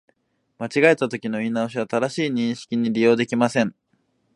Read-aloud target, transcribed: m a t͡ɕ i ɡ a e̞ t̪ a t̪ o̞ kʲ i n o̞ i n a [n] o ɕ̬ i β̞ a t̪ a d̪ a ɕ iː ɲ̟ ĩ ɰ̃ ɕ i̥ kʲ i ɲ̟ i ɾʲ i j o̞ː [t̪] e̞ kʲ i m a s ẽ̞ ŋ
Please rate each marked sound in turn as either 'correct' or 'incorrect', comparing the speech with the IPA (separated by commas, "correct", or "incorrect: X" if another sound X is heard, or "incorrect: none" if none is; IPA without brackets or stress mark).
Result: incorrect: none, incorrect: d̪